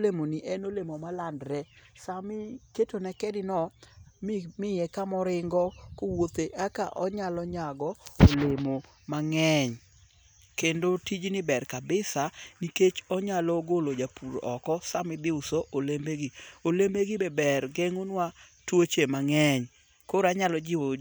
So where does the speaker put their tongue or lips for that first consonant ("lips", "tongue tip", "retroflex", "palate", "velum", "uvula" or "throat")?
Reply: tongue tip